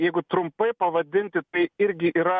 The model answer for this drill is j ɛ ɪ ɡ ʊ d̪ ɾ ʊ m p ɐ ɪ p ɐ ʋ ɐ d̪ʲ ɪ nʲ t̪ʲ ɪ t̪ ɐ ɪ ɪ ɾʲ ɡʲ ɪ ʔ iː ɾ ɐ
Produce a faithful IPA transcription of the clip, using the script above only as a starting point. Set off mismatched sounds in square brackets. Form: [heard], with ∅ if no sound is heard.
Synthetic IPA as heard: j ɛ ɪ ɡ ʊ [t̪] ɾ ʊ m p ɐ ɪ p ɐ ʋ ɐ d̪ʲ ɪ nʲ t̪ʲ ɪ t̪ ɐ ɪ ɪ ɾʲ ɡʲ ɪ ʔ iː ɾ ɐ